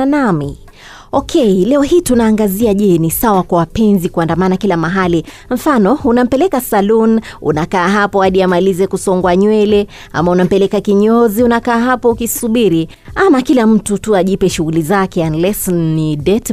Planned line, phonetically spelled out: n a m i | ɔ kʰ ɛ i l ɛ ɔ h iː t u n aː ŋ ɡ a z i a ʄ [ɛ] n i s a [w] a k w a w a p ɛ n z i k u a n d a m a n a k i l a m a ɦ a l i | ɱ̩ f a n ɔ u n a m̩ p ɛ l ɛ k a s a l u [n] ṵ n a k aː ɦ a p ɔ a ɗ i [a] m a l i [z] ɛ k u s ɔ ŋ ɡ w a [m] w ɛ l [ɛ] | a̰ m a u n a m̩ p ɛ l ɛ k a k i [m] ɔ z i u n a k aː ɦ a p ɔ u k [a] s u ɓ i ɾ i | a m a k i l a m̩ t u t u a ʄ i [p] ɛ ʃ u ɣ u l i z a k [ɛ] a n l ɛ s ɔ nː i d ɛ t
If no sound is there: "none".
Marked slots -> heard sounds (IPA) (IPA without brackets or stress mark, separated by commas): ɛ, w, n, a, z, ɲ, ɛ, ɲ, i, p, ɛ